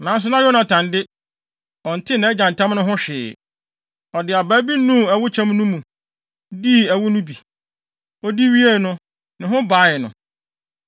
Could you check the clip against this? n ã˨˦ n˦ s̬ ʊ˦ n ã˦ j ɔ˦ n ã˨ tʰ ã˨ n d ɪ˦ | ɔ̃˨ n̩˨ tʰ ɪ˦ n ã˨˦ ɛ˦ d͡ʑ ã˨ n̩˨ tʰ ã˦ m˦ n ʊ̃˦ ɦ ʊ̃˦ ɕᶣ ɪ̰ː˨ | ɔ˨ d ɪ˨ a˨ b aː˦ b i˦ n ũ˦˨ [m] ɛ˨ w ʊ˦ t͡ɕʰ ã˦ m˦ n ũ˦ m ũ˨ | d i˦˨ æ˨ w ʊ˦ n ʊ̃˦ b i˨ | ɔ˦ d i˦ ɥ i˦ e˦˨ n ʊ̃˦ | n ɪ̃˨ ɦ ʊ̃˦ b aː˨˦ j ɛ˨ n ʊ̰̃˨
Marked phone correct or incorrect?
incorrect